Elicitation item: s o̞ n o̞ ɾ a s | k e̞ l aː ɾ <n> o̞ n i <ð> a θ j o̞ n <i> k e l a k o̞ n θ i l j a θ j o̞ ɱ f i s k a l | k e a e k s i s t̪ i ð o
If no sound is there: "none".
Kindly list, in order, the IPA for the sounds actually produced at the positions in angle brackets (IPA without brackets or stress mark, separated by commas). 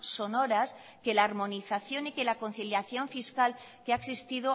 m, θ, i